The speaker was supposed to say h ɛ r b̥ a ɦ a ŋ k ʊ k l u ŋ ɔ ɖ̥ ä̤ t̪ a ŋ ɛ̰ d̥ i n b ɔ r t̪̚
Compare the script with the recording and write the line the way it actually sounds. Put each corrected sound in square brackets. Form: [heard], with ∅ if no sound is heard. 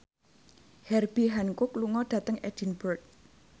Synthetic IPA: h ɛ r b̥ [i] ɦ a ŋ k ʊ k l u ŋ ɔ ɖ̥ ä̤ t̪ [ə] ŋ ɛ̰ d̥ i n b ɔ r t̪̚